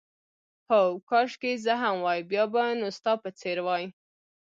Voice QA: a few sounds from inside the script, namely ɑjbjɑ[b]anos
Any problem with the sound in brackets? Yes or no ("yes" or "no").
no